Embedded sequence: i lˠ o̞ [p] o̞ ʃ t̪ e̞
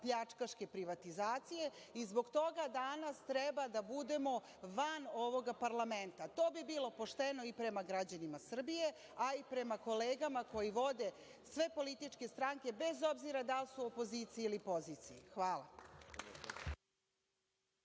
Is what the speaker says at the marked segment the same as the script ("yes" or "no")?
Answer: yes